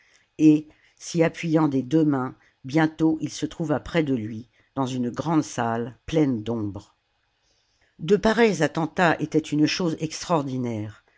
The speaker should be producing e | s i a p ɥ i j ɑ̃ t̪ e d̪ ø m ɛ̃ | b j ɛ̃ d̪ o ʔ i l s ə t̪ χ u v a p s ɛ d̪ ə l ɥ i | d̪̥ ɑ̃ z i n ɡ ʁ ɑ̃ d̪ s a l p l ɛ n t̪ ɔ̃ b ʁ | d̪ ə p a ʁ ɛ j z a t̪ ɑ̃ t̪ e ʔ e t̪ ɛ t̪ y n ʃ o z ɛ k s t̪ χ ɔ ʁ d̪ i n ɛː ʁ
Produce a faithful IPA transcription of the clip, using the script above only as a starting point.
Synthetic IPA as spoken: e | s i a p ɥ i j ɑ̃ d̪ e d̪ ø m ɛ̃ | b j ɛ̃ t̪ o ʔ i l s ə t̪ χ u v a p χ ɛ d̪ ə l ɥ i | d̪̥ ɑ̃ z y n ɡ ʁ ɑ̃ d̪ s a l p l ɛ n d̪ ɔ̃ b ʁ | d̪ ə p a ʁ ɛ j z a t̪ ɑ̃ t̪ a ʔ e t̪ ɛ t̪ y n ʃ o z ɛ k s t̪ χ ɔ ʁ d̪ i n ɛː ʁ